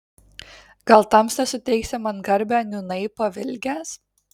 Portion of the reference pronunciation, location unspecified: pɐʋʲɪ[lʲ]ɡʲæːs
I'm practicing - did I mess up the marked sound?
no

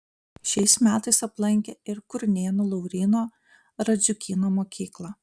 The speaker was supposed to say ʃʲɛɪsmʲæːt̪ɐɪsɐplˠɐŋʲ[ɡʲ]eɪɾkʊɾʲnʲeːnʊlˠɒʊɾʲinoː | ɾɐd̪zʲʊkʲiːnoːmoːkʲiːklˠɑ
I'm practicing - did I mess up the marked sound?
yes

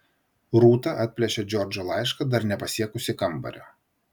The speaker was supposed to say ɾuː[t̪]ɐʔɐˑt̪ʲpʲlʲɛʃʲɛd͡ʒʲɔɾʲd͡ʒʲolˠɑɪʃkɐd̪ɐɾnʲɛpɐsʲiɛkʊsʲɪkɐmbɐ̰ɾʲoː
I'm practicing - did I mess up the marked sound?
no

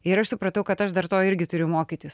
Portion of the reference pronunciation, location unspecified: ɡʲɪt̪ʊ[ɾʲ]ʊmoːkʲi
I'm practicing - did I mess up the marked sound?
no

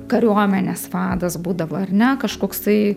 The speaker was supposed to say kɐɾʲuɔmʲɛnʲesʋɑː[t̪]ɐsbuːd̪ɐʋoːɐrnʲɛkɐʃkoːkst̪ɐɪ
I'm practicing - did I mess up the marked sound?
yes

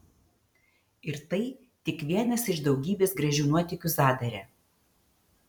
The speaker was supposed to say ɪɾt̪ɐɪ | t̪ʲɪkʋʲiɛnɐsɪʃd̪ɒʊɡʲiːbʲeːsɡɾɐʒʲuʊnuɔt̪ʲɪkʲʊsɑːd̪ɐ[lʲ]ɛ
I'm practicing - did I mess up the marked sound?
yes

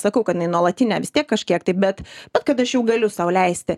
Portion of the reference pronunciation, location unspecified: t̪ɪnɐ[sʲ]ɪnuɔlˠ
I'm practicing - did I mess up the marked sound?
yes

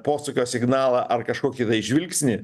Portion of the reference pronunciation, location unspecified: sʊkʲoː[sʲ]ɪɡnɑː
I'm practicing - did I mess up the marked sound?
no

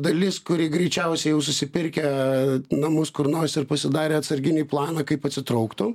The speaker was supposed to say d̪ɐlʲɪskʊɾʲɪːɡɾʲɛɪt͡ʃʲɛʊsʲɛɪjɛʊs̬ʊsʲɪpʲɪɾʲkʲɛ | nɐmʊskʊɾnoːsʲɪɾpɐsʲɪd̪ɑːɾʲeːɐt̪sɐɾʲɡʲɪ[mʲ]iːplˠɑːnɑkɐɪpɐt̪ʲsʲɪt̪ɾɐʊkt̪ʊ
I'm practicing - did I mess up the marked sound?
yes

